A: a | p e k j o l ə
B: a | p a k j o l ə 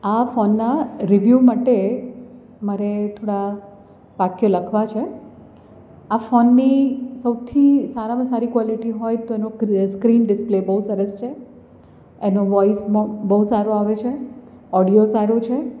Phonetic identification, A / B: B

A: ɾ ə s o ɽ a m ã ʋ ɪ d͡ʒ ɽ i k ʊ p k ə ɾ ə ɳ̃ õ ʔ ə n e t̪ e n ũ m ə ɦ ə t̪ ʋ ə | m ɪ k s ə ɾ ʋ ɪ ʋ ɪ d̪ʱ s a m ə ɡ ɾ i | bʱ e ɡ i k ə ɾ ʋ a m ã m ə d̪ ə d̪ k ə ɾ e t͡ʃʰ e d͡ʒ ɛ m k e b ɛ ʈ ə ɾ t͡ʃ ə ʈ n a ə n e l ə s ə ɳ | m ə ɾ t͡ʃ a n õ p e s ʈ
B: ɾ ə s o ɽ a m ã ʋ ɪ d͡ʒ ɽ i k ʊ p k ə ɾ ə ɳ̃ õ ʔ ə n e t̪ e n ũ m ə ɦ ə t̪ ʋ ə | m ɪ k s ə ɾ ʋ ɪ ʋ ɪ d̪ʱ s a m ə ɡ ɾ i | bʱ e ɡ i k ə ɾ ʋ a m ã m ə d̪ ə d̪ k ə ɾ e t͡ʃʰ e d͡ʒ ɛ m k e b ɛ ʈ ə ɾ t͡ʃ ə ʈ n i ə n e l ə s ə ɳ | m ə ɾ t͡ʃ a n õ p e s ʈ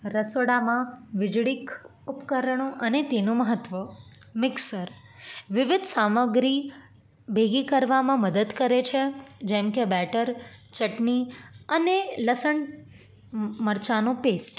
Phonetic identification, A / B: B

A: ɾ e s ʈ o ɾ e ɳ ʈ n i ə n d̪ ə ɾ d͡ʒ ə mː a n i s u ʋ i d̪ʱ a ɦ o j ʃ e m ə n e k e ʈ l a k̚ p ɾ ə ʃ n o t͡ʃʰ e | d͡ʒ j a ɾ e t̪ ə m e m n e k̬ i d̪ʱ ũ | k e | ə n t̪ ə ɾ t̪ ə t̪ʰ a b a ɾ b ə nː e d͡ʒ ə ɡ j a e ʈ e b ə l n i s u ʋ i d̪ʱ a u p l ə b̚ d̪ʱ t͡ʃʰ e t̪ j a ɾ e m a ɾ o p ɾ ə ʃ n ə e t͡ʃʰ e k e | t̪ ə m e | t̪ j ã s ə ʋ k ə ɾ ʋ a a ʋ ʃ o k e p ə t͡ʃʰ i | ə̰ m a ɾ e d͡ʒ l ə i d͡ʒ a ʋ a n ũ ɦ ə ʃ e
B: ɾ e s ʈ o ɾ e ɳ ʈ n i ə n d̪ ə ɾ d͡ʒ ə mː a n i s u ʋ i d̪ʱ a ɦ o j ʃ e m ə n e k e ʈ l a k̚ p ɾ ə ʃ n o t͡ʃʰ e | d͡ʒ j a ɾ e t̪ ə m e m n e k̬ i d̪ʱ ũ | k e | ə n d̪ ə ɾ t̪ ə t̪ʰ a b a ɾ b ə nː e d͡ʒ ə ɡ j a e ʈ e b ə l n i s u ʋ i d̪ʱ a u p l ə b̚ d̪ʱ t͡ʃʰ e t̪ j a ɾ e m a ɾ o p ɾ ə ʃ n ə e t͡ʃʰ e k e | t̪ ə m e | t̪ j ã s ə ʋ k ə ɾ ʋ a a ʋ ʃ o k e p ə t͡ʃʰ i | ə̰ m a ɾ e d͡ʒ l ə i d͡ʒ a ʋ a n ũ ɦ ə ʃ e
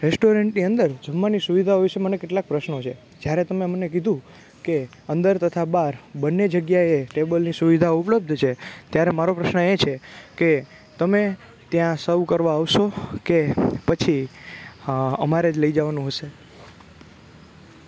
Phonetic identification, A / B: B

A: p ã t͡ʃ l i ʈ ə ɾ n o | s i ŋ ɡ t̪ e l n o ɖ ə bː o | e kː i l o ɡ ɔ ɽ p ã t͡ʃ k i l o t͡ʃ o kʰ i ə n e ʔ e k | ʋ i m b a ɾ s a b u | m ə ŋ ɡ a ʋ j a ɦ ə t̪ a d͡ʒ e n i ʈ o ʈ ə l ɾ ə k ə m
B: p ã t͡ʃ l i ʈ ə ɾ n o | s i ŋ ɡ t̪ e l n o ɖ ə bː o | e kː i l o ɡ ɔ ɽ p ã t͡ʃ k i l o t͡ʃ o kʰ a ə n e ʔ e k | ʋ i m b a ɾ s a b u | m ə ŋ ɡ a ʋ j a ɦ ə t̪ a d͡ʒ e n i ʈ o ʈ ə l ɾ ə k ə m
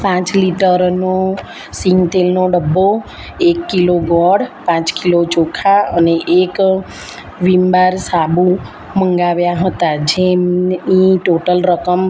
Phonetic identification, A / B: B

